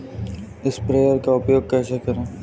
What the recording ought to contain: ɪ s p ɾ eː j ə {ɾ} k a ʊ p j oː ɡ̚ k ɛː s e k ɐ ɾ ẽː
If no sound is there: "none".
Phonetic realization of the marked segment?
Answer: ɾ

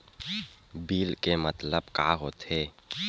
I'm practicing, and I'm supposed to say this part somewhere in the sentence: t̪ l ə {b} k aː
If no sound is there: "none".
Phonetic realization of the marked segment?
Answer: b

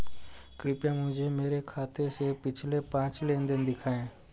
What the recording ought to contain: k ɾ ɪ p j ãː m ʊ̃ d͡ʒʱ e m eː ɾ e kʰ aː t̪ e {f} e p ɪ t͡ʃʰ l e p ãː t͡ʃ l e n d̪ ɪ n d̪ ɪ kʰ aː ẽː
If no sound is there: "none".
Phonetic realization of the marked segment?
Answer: s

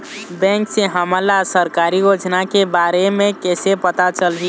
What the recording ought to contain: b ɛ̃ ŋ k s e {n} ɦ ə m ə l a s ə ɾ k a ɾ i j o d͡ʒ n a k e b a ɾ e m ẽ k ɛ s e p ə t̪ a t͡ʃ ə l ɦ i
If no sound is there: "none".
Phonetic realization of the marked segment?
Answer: none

